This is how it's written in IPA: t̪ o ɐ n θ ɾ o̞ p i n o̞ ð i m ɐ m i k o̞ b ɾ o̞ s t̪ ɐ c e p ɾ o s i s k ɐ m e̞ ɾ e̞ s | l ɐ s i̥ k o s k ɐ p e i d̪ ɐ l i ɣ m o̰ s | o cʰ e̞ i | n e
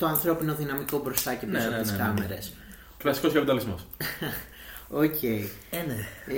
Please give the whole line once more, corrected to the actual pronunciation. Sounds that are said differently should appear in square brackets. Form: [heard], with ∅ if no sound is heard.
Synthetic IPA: t̪ o ɐ n θ ɾ o̞ p i n o̞ ð i [n] ɐ m i k o̞ b ɾ o̞ s t̪ ɐ c e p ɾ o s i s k ɐ m e̞ ɾ e̞ s | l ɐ s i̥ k o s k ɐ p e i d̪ ɐ l i [z] m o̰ s | o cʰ e̞ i | n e